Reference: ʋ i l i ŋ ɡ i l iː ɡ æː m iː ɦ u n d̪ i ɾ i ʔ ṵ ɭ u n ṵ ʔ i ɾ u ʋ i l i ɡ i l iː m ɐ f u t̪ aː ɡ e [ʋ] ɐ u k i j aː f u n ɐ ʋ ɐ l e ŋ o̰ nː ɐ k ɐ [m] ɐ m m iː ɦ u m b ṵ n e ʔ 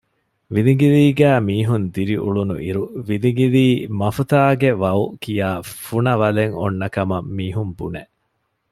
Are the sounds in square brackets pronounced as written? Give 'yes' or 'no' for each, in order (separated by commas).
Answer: yes, yes